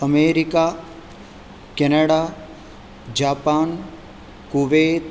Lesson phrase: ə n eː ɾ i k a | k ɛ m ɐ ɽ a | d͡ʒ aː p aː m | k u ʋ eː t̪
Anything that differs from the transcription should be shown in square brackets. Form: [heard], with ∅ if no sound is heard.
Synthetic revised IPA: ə [m] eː ɾ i k a | k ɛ [n] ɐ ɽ a | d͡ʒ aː p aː [n] | k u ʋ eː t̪